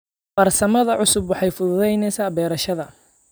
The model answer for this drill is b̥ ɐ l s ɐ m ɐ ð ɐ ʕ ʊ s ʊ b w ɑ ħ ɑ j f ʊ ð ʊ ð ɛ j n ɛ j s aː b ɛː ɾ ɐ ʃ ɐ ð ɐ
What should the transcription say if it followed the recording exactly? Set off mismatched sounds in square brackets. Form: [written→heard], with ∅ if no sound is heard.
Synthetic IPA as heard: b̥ ɐ [l→r] s ɐ m ɐ ð ɐ ʕ ʊ s ʊ b w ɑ ħ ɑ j f ʊ ð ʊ ð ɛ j n ɛ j s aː b ɛː ɾ ɐ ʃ ɐ ð ɐ